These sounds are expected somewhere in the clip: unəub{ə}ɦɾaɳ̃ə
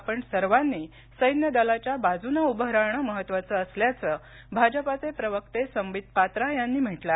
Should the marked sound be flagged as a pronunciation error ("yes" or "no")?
no